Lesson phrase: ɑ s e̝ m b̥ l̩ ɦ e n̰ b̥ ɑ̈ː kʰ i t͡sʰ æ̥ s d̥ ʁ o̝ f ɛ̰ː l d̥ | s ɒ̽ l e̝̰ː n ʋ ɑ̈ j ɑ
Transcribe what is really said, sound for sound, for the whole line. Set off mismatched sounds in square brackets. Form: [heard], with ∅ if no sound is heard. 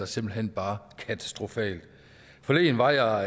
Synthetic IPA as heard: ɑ s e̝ m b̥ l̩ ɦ e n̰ b̥ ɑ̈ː kʰ [æ] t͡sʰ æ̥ s d̥ ʁ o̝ f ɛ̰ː l d̥ | [f] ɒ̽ l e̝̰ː n ʋ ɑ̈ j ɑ